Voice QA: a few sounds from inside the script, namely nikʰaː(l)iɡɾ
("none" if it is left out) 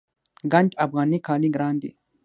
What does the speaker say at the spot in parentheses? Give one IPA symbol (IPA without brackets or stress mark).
l